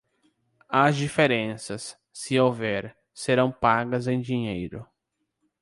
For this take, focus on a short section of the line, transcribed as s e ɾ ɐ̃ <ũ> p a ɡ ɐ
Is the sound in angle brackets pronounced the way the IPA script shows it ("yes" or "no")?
no